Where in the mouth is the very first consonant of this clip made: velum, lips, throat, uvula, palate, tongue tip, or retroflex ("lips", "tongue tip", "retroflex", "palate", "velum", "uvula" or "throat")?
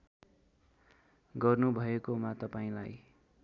velum